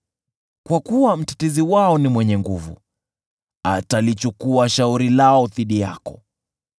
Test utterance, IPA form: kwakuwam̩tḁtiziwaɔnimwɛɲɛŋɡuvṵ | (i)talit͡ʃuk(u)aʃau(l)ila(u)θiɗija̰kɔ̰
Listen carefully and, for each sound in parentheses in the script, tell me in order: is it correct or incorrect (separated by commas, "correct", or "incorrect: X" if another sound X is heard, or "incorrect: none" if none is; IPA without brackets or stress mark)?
incorrect: a, correct, incorrect: ɾ, incorrect: ɔ